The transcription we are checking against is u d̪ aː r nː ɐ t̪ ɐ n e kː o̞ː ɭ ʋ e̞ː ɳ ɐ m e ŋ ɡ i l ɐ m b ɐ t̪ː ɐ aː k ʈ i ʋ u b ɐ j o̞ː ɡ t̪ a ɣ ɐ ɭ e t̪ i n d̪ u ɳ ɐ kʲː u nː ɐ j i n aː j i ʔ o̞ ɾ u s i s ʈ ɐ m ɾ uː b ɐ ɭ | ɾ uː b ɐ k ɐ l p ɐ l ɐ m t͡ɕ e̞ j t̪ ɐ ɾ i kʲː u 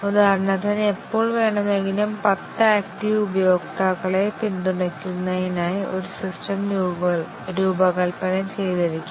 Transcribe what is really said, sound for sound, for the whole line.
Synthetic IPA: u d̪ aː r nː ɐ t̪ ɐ n e pː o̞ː ɭ ʋ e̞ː ɳ ɐ m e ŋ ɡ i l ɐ m p ɐ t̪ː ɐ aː k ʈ i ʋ u b ɐ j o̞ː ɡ t̪ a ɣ ɐ ɭ e t̪ i n d̪ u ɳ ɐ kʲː u nː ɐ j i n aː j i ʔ o̞ ɾ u s i s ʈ ɐ m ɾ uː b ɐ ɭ | ɾ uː b ɐ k ɐ l p ɐ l ɐ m t͡ɕ e̞ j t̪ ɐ ɾ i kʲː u